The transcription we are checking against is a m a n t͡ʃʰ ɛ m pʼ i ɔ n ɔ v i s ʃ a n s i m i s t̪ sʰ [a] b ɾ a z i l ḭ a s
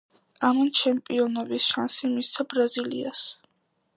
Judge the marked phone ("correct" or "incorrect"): correct